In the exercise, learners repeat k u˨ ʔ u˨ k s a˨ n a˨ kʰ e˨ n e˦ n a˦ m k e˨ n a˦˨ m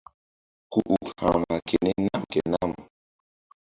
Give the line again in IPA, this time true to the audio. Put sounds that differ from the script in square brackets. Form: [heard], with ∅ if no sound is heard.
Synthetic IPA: k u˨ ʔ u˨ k [h] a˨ [m] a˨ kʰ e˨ n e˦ n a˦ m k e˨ n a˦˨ m